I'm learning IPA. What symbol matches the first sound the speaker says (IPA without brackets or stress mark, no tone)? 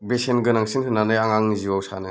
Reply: b